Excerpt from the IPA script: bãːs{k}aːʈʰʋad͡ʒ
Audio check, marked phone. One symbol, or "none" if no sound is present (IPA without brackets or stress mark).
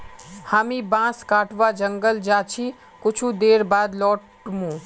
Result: k